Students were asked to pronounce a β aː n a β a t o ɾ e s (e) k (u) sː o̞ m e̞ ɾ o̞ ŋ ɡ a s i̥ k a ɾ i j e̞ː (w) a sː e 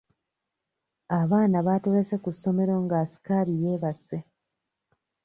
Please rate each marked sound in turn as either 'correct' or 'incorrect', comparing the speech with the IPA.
correct, correct, incorrect: β

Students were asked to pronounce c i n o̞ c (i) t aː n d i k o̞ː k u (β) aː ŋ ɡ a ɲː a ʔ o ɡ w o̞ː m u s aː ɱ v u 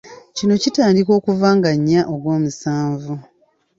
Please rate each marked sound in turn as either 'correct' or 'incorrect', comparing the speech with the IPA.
correct, incorrect: v

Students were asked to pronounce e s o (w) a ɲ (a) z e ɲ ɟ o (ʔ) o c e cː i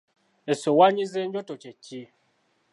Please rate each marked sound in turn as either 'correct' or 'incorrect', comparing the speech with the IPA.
correct, incorrect: i, incorrect: t

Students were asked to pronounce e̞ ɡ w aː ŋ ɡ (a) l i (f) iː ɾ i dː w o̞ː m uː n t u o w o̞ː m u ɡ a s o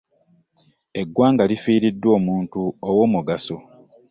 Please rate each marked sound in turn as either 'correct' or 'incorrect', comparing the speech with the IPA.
correct, correct

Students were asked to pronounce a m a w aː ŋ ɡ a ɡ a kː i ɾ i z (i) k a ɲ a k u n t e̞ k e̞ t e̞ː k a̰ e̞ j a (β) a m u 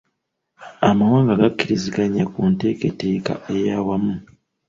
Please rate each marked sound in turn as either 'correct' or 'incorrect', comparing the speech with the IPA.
correct, incorrect: w

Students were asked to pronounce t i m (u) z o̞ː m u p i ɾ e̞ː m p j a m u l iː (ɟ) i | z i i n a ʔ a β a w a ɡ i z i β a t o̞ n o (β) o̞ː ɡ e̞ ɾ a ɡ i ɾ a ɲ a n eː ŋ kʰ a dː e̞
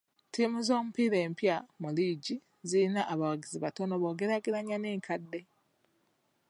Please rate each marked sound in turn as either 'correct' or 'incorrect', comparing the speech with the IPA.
correct, correct, correct

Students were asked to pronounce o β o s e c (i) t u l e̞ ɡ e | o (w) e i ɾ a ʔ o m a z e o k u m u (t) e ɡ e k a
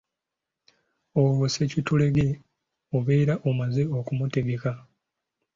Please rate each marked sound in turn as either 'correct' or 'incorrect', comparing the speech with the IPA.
correct, incorrect: β, correct

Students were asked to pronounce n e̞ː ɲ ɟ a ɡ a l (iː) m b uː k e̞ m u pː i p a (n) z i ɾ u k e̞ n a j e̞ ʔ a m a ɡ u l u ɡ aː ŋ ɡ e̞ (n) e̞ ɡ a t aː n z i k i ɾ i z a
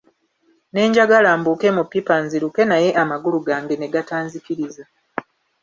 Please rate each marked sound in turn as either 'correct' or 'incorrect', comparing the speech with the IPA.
incorrect: aː, correct, correct

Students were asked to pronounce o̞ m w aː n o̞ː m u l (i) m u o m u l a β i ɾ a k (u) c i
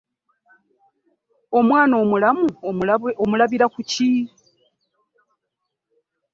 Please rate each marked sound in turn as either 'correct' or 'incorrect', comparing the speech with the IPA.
incorrect: a, correct

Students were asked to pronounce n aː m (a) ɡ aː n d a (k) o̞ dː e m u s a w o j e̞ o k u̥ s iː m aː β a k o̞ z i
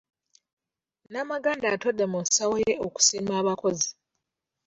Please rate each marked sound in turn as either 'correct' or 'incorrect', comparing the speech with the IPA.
correct, incorrect: t

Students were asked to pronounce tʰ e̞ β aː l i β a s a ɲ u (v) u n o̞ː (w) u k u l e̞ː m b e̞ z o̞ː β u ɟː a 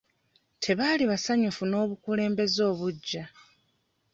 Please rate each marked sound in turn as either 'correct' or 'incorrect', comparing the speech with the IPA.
incorrect: f, incorrect: β

